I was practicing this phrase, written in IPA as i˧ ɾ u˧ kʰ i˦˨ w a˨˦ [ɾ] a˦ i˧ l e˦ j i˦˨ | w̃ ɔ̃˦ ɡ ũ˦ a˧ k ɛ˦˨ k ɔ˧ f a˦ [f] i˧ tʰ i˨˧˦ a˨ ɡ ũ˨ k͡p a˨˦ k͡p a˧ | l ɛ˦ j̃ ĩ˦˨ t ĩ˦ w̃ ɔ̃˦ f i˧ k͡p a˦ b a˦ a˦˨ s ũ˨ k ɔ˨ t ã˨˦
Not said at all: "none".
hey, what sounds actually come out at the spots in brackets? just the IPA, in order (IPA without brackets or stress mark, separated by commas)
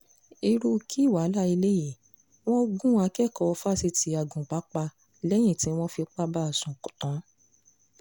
l, s